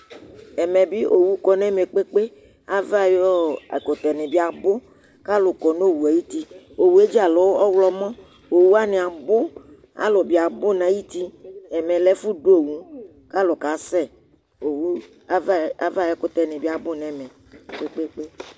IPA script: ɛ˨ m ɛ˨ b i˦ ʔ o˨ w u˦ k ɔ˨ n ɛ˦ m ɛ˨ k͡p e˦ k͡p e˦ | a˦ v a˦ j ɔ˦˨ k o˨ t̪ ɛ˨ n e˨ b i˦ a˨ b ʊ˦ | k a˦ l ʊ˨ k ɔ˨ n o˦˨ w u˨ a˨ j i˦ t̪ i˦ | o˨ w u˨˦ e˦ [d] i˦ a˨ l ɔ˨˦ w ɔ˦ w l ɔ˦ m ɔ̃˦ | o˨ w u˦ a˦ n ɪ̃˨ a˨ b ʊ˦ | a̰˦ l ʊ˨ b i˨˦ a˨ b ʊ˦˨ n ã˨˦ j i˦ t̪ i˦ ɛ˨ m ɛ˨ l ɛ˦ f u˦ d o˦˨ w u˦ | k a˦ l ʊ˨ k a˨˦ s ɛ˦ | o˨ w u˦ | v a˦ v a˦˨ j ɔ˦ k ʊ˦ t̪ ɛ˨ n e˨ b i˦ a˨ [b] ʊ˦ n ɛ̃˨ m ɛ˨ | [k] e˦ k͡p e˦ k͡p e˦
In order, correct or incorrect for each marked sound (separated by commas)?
incorrect, correct, incorrect